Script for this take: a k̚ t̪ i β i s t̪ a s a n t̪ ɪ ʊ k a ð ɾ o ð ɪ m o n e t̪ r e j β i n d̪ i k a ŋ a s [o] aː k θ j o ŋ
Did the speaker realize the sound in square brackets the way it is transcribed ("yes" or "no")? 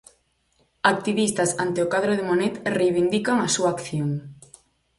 no